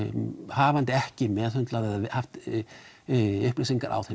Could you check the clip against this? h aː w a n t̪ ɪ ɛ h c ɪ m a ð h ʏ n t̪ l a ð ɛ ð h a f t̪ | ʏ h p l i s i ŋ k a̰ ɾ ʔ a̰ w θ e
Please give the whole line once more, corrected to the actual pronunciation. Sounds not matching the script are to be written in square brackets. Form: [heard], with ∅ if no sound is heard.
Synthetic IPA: h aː [v] a n t̪ ɪ ɛ h c ɪ m [ɛ] ð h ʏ n t̪ l a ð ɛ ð h a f t̪ | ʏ h p l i s i ŋ k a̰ ɾ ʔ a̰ w θ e

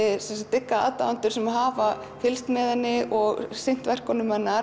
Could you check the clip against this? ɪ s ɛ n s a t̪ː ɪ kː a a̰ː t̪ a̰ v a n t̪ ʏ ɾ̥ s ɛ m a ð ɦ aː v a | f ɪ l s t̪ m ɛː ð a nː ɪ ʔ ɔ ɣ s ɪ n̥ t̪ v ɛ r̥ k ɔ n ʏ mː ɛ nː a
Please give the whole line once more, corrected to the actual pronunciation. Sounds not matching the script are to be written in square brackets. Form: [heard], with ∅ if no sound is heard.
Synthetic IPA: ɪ s ɛ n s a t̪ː ɪ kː a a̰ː t̪ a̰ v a n t̪ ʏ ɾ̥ s ɛ m a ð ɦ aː v a | f ɪ l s t̪ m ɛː ð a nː ɪ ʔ ɔ ɣ s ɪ n̥ t̪ v ɛ r̥ k ɔ n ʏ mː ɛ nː a

